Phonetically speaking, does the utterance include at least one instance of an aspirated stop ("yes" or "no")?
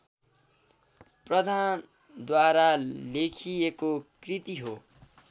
yes